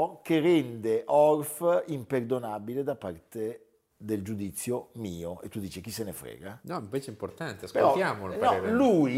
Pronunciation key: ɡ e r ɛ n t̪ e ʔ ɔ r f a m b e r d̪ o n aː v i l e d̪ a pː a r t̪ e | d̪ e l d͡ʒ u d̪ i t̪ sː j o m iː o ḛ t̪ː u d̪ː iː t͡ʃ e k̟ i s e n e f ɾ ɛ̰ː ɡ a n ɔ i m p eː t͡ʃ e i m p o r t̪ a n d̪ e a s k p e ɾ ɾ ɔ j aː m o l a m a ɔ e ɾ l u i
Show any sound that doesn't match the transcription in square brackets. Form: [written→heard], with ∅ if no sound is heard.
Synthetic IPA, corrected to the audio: [ɡ→k] e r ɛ n [t̪→d̪] e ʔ ɔ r f [a→i] m [b→p] e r d̪ o n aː [v→b] i l e d̪ a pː a r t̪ e | d̪ e l d͡ʒ u d̪ i t̪ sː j o m iː o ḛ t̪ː u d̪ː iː t͡ʃ e k̟ i s e n e f ɾ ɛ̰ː ɡ a n ɔ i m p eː t͡ʃ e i m p o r t̪ a n [d̪→t̪] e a s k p e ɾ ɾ ɔ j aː m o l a [m→n] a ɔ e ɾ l u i